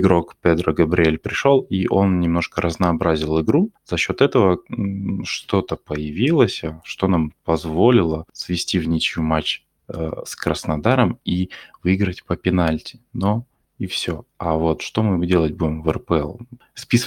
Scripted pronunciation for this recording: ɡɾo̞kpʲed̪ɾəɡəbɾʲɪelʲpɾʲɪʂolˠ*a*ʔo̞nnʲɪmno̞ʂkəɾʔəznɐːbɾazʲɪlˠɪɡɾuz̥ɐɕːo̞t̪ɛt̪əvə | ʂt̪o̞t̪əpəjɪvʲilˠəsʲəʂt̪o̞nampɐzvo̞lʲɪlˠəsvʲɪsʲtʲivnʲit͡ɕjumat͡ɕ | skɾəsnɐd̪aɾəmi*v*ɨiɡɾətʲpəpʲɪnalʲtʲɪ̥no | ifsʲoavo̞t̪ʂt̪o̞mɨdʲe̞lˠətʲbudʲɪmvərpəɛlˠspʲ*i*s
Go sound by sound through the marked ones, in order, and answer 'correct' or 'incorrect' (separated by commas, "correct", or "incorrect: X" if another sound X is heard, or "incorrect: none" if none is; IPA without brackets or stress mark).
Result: incorrect: i, correct, correct